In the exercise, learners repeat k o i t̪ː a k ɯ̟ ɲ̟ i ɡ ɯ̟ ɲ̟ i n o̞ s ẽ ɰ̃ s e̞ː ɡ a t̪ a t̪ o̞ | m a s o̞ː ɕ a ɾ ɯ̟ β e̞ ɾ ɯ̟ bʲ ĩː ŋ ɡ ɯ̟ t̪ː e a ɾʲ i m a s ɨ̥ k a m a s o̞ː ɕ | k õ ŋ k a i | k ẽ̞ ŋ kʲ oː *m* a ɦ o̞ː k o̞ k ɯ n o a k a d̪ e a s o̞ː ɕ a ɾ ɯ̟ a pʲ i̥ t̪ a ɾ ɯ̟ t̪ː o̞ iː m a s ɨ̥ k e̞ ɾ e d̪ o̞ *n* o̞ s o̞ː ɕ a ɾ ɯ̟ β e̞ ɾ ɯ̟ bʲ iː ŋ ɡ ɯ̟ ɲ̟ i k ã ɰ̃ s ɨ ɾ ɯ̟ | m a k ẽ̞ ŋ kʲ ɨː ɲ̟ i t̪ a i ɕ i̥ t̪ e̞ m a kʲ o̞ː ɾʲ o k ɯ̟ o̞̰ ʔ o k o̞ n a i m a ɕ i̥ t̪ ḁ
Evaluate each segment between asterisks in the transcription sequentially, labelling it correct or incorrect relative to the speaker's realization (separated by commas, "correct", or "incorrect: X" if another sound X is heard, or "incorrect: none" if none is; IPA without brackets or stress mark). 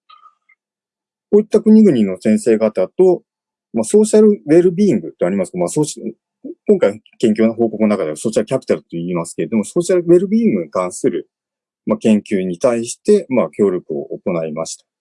incorrect: n, incorrect: m